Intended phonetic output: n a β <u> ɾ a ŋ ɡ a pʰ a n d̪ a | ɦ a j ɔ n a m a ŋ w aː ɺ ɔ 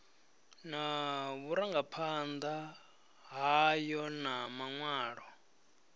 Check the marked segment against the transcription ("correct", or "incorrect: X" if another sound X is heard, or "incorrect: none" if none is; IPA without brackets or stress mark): correct